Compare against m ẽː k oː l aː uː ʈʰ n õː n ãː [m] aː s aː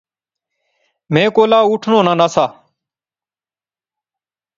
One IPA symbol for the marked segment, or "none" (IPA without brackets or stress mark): n